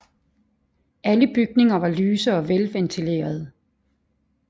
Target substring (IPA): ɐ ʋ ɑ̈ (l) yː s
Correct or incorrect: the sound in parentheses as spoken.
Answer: correct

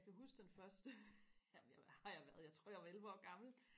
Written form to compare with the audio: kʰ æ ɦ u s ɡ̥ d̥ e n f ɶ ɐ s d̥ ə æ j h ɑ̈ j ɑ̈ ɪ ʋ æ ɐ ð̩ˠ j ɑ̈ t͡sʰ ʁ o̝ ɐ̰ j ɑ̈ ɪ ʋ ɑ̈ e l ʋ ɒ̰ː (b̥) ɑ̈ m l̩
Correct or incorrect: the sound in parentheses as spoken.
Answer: incorrect: ɡ̥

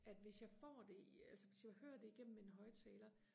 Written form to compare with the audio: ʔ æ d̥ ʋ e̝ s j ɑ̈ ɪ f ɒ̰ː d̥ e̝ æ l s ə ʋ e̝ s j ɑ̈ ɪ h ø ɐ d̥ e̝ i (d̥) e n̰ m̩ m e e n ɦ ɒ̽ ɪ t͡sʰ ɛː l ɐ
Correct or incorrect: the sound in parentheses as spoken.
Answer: incorrect: ɡ̥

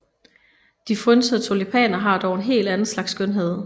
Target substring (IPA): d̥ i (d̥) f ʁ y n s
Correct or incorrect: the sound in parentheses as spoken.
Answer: incorrect: none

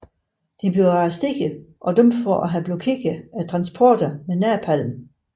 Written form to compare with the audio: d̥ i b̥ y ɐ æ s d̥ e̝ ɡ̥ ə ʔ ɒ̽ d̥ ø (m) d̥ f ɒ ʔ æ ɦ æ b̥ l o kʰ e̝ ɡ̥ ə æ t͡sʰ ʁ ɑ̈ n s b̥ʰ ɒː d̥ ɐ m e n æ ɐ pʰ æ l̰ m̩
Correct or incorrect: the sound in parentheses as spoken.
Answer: correct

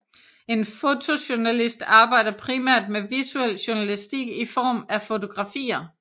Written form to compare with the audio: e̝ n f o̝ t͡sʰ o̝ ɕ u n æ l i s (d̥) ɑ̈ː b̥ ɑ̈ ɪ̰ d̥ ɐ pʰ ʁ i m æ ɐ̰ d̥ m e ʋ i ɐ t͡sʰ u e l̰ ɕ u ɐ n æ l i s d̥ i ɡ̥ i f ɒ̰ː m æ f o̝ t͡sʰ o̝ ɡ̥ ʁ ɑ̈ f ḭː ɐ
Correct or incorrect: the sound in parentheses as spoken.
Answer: correct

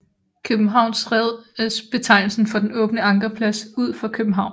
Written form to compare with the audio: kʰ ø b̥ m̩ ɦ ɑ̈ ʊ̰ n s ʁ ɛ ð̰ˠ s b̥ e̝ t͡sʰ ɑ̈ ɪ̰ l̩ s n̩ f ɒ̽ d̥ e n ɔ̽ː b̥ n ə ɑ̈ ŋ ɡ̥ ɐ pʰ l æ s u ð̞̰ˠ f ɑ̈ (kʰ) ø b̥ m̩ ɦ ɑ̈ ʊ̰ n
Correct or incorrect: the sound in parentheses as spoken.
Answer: correct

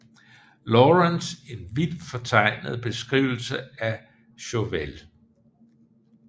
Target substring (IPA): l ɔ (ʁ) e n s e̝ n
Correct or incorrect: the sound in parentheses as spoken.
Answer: correct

